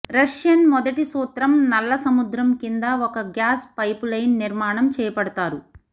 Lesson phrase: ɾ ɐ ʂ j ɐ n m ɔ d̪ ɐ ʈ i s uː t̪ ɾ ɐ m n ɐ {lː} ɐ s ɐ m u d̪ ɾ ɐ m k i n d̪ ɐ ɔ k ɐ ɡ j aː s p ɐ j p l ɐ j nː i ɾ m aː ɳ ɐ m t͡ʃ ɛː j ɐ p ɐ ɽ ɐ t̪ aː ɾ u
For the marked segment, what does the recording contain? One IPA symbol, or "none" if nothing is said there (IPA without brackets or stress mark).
lː